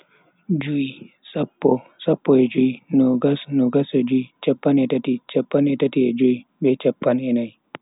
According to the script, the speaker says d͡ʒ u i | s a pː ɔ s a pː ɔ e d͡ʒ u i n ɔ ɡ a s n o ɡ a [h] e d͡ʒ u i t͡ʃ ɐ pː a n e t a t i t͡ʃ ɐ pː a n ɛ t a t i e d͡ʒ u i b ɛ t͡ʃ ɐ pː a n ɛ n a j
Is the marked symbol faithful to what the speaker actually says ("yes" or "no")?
no